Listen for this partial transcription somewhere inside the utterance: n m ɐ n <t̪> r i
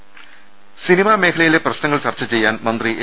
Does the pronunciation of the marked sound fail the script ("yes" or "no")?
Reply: yes